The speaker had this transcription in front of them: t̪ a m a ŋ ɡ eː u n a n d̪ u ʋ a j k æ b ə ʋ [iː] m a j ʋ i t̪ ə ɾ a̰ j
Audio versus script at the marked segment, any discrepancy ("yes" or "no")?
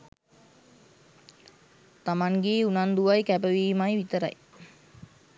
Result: no